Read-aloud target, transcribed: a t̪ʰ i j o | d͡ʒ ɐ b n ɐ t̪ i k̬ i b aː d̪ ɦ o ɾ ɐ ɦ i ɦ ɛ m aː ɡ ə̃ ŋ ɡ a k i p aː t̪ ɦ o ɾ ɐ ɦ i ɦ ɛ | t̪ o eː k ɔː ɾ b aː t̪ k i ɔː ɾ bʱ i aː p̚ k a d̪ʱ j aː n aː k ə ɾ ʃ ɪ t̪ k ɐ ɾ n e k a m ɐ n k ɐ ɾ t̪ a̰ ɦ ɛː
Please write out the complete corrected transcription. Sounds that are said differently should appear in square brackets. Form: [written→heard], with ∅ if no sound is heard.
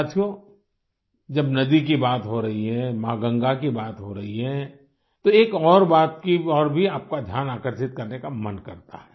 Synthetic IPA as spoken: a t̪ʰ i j o | d͡ʒ ɐ b n ɐ [t̪→d̪] i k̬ i b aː [d̪→t̪] ɦ o ɾ ɐ ɦ i ɦ ɛ m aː ɡ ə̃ ŋ ɡ a k i [p→b] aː t̪ ɦ o ɾ ɐ ɦ i ɦ ɛ | t̪ o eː k ɔː ɾ b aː t̪ k i ɔː ɾ bʱ i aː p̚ k a d̪ʱ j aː n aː k ə ɾ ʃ ɪ t̪ k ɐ ɾ n e k a m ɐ n k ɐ ɾ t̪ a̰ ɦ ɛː